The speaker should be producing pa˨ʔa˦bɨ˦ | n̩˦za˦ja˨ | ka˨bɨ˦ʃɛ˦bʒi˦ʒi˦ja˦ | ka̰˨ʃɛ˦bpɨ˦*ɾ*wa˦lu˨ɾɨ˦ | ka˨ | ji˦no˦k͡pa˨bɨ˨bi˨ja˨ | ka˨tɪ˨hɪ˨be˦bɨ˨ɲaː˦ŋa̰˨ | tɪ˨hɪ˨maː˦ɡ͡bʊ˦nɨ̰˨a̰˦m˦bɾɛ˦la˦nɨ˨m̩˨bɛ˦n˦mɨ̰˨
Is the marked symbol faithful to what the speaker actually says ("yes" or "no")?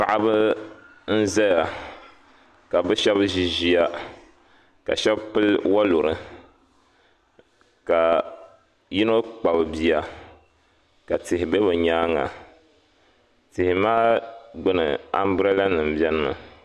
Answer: no